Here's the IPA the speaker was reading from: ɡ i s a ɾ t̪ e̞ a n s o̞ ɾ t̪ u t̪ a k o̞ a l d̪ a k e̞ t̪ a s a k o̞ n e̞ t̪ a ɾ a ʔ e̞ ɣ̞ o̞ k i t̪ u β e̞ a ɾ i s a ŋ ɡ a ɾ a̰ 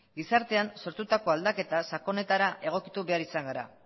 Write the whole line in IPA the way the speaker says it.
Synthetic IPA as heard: ɡ i s a ɾ t̪ e̞ a n s o̞ ɾ t̪ u t̪ a k o̞ a l d̪ a k e̞ t̪ a s a k o̞ n e̞ t̪ a ɾ a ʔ e̞ ɣ̞ o̞ k i t̪ u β e̞ a ɾ i s a ŋ ɡ a ɾ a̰